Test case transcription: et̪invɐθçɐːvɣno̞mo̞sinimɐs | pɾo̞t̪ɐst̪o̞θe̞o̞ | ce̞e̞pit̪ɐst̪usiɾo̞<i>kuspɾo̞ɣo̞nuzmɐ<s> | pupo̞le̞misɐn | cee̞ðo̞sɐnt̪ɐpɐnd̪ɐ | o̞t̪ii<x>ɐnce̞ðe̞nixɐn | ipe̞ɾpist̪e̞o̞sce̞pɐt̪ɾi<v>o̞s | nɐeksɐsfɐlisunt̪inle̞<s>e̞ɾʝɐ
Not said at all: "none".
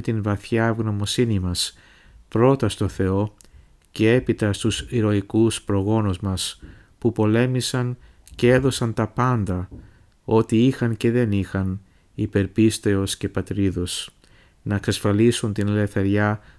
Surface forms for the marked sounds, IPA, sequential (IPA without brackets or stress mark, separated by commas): i, s, x, ð, θ